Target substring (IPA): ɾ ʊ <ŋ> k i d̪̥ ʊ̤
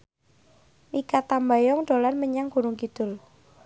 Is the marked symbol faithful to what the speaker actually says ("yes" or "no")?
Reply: yes